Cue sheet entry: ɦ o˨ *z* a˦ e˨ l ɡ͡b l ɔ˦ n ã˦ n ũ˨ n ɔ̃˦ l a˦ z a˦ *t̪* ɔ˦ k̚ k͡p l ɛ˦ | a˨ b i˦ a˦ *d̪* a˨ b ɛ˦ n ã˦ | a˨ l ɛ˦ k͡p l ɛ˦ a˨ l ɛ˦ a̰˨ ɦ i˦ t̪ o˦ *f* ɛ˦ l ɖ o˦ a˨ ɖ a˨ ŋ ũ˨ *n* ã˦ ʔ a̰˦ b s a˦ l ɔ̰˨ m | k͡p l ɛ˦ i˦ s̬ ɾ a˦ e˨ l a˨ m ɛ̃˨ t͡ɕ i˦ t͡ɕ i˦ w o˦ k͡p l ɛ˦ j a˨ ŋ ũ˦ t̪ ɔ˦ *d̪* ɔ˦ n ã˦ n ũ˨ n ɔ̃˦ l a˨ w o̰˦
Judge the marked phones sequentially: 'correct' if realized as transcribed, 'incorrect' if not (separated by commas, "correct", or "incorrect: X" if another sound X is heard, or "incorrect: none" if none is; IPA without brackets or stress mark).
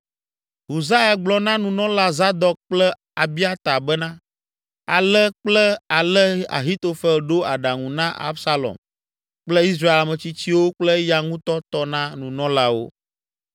correct, incorrect: d̪, incorrect: t̪, correct, correct, incorrect: t̪